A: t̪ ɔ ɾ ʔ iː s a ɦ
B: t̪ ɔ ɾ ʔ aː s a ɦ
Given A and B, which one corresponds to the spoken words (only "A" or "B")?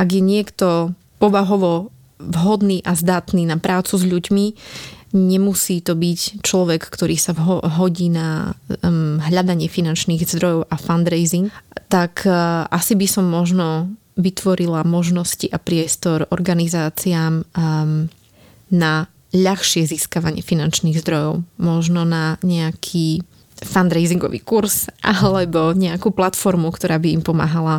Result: A